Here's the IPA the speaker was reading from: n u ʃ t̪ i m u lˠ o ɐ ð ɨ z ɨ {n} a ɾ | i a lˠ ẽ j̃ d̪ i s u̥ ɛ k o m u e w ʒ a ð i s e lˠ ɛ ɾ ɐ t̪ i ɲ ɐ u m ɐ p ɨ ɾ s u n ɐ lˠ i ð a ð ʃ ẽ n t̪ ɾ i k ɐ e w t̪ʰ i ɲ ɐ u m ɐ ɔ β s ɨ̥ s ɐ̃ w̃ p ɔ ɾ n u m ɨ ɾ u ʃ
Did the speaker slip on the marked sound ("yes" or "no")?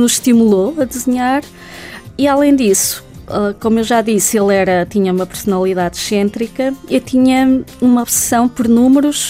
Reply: yes